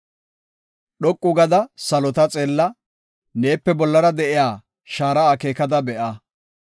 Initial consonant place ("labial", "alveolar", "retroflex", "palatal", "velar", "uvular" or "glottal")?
alveolar